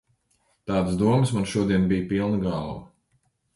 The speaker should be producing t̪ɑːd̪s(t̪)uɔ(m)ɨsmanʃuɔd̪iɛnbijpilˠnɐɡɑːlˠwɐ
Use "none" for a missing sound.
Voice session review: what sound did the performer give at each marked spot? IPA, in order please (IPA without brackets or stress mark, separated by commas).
d̪, m